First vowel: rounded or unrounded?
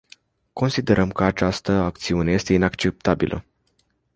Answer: rounded